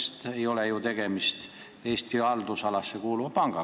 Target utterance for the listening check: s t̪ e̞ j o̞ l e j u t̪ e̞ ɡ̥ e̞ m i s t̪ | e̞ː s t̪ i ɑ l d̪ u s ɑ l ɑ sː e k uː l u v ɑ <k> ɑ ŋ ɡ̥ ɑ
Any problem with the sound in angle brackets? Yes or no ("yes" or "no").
yes